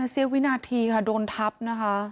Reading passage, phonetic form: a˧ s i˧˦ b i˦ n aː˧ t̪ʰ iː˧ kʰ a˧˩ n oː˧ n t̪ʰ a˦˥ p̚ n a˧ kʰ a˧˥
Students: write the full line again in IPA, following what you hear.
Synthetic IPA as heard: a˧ s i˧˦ w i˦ n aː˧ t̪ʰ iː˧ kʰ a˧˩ d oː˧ n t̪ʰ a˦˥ p̚ n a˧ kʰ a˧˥